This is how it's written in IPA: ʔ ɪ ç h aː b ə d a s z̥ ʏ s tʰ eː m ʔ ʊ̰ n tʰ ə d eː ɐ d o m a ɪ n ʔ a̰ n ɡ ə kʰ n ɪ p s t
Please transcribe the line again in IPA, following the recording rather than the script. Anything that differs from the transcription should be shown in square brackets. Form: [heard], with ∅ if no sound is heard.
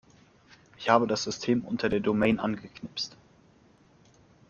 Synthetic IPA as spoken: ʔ ɪ ç h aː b ə d a s z̥ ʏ s tʰ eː m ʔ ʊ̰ n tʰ [ɐ] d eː ɐ d o m [ɛ] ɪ n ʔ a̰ n ɡ ə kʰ n ɪ p s t